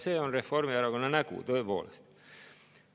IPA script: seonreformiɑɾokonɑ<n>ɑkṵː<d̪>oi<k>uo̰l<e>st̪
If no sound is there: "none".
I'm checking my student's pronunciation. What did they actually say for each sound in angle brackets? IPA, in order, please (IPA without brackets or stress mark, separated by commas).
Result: n, t̪, p, e